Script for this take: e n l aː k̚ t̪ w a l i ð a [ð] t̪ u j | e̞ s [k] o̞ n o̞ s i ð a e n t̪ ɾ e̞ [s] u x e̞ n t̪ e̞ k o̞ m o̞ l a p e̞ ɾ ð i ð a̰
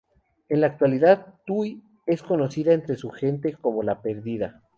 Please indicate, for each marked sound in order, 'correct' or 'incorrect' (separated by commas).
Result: correct, correct, correct